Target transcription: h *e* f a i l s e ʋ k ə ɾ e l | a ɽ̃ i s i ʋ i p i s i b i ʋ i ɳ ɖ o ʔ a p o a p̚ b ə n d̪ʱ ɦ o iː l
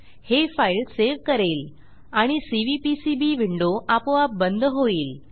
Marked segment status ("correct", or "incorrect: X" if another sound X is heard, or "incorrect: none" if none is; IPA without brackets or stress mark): correct